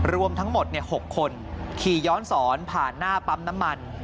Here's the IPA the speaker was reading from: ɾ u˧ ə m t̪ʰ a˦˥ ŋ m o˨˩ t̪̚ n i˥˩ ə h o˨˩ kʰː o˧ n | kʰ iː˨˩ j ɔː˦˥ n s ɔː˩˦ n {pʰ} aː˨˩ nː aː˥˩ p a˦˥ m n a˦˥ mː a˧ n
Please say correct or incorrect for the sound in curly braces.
correct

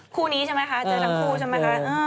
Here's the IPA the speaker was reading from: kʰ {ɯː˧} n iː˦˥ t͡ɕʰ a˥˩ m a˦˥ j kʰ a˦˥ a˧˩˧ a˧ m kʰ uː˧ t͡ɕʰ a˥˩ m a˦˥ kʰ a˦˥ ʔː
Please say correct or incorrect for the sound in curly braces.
incorrect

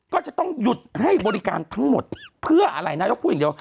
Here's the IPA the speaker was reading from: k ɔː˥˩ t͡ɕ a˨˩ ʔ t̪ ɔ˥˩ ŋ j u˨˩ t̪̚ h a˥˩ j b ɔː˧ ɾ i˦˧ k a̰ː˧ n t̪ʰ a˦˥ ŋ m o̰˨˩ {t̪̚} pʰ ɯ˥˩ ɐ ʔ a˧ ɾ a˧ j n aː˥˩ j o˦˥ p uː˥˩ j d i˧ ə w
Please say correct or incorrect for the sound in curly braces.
correct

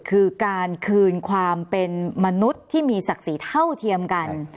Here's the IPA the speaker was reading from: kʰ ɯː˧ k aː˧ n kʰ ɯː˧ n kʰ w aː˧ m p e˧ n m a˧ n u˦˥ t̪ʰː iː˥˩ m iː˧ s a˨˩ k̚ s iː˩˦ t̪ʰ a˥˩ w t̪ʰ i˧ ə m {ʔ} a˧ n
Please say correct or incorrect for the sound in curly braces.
incorrect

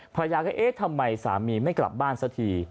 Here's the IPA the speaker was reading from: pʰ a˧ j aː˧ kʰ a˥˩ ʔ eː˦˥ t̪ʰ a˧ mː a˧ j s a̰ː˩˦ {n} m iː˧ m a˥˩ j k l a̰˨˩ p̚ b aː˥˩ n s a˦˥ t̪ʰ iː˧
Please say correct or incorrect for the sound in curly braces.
incorrect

